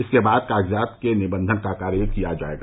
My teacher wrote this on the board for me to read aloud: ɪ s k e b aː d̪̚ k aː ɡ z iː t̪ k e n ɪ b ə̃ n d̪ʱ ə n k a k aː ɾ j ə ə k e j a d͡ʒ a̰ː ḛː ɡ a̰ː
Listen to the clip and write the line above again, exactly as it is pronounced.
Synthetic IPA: ɪ s k e b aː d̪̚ k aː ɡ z aː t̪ k e n ɪ b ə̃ n d̪ʱ ə n k a k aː ɾ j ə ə k i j a d͡ʒ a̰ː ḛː ɡ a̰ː

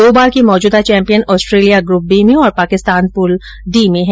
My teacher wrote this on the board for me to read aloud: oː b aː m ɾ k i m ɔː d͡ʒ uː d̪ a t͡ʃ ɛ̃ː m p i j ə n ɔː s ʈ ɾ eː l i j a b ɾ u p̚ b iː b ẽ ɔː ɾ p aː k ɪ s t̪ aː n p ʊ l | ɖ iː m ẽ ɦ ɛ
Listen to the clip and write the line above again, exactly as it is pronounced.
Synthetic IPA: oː b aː ɾ k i m ɔː d͡ʒ uː d̪ a t͡ʃ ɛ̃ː m p i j ə n ɔː s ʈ ɾ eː l i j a ɡ ɾ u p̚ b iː m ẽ ɔː ɾ p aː k ɪ s t̪ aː n p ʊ l | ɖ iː m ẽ ɦ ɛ

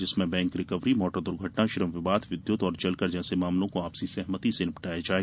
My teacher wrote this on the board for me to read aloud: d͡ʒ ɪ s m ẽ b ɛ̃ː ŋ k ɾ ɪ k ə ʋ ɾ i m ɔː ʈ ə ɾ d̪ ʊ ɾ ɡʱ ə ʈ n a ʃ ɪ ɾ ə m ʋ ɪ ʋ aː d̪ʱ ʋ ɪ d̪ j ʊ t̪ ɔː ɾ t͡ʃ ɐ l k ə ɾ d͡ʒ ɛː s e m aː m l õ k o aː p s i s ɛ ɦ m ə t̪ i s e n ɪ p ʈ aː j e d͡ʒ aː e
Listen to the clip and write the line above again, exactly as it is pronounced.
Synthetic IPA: d͡ʒ ɪ s m ẽ b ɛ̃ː ŋ k ɾ ɪ k ə ʋ ɾ i m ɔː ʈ ə ɾ d̪ ʊ ɾ ɡʱ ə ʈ n a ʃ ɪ ɾ ə m ʋ ɪ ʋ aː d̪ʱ ʋ ɪ d̪ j ʊ t̪ ɔː ɾ t͡ʃ ɐ l k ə ɾ d͡ʒ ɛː s e m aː m l õ k o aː p s i s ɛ ɦ m ə t̪ i s e n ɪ p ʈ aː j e d͡ʒ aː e

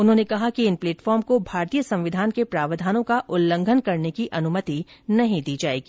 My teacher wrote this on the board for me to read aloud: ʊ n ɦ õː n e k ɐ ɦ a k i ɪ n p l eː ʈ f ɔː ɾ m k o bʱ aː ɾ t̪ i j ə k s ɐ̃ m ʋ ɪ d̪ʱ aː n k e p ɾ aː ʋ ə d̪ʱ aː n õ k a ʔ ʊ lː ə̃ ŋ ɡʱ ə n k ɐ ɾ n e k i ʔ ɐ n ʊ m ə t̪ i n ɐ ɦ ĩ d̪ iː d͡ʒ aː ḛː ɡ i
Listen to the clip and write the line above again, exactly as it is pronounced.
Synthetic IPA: ʊ n ɦ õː n e k ɐ ɦ a k i ɪ n p l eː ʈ f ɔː ɾ m k o bʱ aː ɾ t̪ i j ə s ɐ̃ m ʋ ɪ d̪ʱ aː n k e p ɾ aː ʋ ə d̪ʱ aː n õ k a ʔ ʊ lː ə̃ ŋ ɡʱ ə n k ɐ ɾ n e k i ʔ ɐ n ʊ m ə t̪ i n ɐ ɦ ĩ d̪ iː d͡ʒ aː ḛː ɡ i

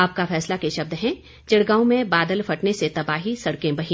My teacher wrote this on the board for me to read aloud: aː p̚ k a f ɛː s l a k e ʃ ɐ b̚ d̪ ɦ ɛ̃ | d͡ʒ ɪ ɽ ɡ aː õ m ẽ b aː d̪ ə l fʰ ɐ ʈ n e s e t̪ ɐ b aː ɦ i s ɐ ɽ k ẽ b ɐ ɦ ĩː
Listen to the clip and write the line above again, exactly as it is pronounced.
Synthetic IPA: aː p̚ k a f ɛː s l a k e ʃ ɐ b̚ d̪ ɦ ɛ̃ | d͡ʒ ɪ ɽ ɡ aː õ m ẽ b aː d̪ ə l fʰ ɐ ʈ n e s e t̪ ɐ b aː ɦ i s ɐ ɽ k ẽ b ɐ ɦ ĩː

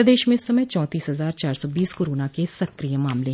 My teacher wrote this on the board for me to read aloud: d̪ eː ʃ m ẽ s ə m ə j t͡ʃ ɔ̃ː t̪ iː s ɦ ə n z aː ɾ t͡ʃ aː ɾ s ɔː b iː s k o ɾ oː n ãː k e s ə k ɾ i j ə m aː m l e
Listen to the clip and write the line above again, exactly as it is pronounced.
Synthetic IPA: d̪ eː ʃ m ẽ s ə m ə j t͡ʃ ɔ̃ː t̪ iː s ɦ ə z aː ɾ t͡ʃ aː ɾ s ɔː b iː s k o ɾ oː n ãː k e s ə k ɾ i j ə m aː m l e

